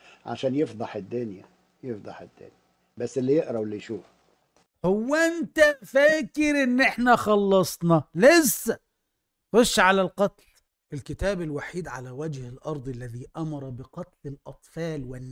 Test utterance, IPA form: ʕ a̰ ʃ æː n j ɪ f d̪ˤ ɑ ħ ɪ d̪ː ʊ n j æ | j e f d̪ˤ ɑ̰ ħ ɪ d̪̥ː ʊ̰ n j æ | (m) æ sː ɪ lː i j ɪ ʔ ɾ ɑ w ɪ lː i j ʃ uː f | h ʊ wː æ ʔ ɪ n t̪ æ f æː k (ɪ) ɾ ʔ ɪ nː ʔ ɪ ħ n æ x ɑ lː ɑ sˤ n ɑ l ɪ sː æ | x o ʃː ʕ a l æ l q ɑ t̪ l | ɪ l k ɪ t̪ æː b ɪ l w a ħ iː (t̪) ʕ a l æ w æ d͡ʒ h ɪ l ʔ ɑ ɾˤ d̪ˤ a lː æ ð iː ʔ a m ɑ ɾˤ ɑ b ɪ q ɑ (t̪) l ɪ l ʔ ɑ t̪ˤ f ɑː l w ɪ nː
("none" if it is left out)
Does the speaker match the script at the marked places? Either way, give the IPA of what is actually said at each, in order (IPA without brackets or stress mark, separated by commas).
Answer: b, ɪ, d̪, t̪